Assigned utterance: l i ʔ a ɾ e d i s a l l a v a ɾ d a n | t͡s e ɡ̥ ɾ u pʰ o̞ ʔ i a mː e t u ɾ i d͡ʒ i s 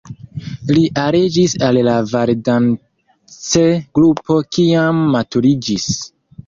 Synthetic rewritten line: l i ʔ a ɾ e d͡ʒ i s a l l a v a ɾ d a n | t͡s e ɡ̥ ɾ u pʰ o̞ k i a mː a t u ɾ i d͡ʒ i s